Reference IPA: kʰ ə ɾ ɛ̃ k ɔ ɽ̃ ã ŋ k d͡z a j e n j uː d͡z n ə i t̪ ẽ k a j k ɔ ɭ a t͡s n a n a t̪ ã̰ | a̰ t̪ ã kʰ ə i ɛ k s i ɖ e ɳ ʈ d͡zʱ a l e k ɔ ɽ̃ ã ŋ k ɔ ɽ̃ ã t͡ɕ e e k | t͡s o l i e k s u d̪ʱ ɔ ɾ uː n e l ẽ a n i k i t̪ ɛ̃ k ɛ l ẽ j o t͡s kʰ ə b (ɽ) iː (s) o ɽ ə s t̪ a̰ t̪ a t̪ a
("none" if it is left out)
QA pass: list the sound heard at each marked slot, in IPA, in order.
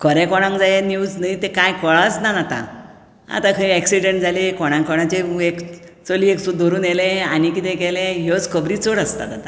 ɾ, t͡s

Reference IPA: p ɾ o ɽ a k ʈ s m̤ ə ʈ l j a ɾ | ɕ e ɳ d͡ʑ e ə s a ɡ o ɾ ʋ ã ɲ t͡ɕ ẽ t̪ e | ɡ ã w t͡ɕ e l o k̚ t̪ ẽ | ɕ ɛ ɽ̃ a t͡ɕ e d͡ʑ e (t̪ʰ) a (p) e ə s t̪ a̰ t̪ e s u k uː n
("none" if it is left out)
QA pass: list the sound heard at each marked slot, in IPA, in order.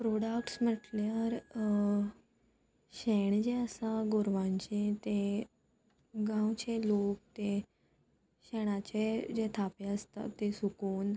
t̪ʰ, p

